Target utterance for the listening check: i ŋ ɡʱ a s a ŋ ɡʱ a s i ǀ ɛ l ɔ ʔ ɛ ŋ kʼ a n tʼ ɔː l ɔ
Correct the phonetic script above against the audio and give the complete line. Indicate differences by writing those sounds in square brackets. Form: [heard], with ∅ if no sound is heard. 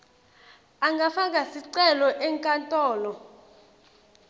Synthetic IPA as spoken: [a] ŋ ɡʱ a [f] a ŋ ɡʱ a s i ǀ ɛ l ɔ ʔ ɛ ŋ kʼ a n tʼ ɔː l ɔ